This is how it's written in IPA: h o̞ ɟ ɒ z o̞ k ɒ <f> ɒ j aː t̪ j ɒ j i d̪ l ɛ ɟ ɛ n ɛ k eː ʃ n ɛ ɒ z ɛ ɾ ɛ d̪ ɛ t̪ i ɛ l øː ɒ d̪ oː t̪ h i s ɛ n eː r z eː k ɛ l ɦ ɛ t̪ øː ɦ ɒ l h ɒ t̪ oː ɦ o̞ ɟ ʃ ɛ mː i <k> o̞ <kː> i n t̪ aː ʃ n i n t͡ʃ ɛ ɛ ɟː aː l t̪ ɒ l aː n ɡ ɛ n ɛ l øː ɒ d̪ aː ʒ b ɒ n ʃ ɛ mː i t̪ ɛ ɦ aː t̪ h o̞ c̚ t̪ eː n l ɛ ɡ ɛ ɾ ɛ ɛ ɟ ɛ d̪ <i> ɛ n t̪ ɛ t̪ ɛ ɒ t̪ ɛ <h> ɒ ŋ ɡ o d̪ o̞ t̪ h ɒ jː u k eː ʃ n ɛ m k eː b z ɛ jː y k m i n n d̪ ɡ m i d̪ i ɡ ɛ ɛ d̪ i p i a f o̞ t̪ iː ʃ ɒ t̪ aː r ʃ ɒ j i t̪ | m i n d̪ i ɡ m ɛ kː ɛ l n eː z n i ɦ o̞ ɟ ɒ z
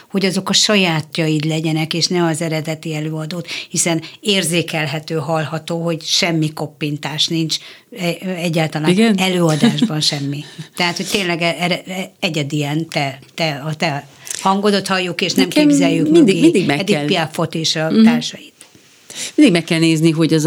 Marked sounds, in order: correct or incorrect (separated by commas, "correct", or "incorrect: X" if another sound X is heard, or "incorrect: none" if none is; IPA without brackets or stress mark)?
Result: incorrect: ʃ, correct, incorrect: pː, correct, correct